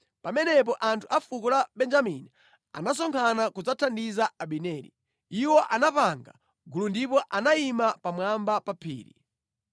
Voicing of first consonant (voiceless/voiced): voiceless